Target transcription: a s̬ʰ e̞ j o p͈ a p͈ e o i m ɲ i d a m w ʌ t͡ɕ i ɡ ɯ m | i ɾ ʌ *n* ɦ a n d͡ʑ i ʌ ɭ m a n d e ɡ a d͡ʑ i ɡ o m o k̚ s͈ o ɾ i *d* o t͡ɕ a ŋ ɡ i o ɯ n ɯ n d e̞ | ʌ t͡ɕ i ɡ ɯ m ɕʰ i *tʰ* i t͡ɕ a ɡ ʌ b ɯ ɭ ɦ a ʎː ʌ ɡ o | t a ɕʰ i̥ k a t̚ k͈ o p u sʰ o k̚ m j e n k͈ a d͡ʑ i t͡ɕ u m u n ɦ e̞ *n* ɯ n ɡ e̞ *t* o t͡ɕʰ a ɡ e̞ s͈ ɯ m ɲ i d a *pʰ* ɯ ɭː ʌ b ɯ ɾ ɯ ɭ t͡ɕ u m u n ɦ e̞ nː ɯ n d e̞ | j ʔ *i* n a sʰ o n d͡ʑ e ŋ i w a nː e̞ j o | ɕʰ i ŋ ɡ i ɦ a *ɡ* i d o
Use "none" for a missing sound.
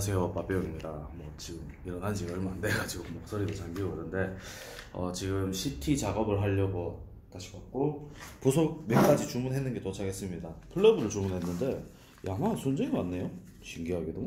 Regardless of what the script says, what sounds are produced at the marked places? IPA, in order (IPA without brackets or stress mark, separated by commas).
n, d, tʰ, nː, t, pʰ, a, ɡ